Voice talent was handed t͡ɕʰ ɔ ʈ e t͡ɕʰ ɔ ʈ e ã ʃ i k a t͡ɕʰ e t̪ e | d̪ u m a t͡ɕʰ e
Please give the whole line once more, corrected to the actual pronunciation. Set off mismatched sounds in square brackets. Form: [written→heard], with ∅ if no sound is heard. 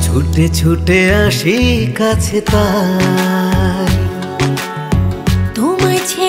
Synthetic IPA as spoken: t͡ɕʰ [ɔ→u] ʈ e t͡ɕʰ [ɔ→u] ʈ e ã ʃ i k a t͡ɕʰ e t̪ [e→a] | [d̪→t̪] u m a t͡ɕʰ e